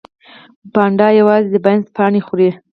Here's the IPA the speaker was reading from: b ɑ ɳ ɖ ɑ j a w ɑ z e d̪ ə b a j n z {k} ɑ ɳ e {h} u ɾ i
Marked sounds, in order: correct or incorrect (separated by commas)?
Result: incorrect, incorrect